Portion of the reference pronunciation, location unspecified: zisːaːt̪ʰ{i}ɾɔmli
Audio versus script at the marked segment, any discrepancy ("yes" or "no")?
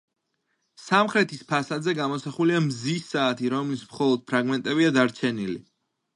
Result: no